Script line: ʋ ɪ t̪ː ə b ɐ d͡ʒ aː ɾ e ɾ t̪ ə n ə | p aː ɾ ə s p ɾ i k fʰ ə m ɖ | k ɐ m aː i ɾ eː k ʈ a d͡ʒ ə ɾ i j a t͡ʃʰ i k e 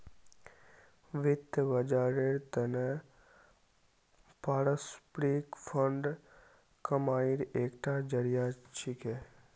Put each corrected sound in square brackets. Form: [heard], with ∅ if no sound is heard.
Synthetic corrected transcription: ʋ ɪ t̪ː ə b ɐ d͡ʒ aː ɾ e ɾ t̪ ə n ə | p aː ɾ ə s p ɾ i k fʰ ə [ɳ] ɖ | k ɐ m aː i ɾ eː k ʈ a d͡ʒ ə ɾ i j a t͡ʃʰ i k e